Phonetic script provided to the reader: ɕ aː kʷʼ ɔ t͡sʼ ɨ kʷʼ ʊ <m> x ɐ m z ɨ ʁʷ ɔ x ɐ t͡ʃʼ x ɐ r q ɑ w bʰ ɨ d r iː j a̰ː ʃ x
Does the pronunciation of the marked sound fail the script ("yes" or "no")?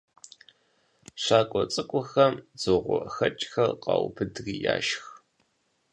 yes